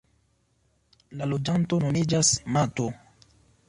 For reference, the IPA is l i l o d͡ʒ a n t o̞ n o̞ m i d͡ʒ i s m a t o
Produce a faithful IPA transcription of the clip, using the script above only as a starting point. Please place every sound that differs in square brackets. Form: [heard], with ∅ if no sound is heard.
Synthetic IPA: l [a] l o d͡ʒ a n t o̞ n o̞ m i d͡ʒ [a] s m a t o